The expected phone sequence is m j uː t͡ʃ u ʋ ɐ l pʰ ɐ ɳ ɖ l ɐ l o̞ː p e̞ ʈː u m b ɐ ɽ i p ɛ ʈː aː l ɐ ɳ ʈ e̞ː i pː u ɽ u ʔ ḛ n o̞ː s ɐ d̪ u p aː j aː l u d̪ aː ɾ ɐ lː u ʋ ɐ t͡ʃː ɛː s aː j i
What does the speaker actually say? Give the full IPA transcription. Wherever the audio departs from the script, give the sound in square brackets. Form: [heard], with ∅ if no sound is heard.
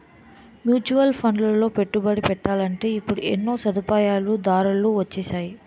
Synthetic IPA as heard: m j uː t͡ʃ u ʋ ɐ l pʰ ɐ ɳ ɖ l ɐ l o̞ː p e̞ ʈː u [∅] b ɐ ɽ i p ɛ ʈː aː l ɐ ɳ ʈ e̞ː i pː u ɽ u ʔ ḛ [nː] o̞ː s ɐ d̪ u p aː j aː l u d̪ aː ɾ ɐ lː u ʋ ɐ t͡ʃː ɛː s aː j i